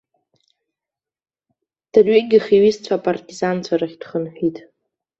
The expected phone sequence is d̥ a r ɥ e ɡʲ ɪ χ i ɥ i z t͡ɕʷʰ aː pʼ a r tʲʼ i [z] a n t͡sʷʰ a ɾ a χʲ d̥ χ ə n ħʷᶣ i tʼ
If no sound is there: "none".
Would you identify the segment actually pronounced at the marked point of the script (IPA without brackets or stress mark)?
z